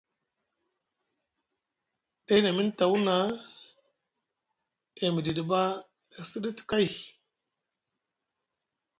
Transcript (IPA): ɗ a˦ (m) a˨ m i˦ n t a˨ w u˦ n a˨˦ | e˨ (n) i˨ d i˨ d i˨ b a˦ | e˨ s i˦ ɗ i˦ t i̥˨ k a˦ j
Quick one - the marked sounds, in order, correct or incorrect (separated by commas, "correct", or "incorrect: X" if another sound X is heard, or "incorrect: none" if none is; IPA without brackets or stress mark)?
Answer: incorrect: n, incorrect: m